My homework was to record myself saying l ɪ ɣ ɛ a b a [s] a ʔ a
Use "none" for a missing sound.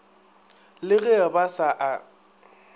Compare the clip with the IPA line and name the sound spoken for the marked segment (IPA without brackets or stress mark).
s